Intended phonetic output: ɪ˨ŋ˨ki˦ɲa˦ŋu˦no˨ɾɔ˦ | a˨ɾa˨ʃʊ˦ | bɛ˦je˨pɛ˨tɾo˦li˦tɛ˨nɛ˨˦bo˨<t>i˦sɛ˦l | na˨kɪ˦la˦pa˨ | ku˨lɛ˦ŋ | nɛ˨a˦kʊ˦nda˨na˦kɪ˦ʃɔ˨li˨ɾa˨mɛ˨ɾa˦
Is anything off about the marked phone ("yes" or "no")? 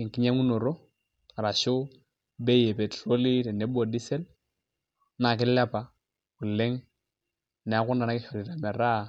yes